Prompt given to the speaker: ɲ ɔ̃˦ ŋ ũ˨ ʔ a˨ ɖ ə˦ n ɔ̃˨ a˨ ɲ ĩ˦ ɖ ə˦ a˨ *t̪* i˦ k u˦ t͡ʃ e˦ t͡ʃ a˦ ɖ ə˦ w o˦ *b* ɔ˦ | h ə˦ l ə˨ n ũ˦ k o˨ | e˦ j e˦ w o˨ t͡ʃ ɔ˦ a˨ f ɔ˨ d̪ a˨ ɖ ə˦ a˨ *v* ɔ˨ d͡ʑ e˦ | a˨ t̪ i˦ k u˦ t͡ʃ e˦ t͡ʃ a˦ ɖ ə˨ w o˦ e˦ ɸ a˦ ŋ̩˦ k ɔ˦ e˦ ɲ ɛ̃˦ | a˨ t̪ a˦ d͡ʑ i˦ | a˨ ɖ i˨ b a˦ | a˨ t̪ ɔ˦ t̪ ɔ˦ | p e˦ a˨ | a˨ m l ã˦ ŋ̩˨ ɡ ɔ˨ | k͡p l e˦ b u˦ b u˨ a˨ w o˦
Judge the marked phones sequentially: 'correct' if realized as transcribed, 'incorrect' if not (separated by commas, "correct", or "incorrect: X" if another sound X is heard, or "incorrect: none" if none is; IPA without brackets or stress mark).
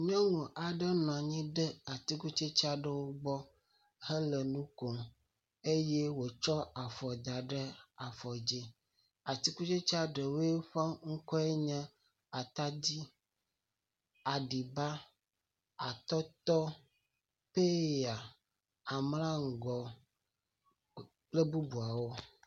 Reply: correct, incorrect: ɡ͡b, incorrect: f